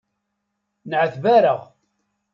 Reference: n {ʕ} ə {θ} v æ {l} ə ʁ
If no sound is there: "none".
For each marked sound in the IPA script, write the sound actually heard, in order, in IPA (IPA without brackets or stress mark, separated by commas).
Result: ʕ, θ, ɾ